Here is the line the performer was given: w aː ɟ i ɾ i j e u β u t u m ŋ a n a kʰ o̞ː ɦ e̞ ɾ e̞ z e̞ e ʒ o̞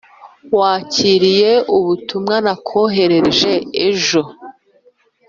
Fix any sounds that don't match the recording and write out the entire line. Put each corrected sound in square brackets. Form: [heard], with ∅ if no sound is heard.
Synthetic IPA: w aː [c] i ɾ i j e u β u t u m ŋ a n a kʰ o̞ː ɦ e̞ ɾ e̞ [ʒ] e̞ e ʒ o̞